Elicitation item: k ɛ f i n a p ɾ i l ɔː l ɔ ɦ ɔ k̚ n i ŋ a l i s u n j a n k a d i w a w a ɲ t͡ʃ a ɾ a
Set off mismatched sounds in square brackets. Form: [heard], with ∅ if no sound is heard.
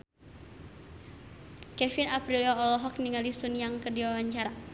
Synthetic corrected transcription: k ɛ f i n a p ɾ i l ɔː l ɔ ɦ ɔ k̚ n i ŋ a l i s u n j a [ŋ] k [ə] d i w a w a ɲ t͡ʃ a ɾ a